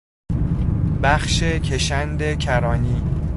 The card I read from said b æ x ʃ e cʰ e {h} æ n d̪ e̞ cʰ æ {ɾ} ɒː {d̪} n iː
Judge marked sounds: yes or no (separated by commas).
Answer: no, yes, no